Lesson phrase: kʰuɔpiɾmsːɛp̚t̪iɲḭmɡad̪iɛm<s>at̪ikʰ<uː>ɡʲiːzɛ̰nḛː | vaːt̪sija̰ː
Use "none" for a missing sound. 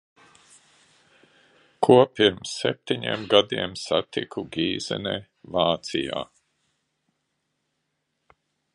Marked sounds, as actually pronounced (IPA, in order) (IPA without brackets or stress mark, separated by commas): s, u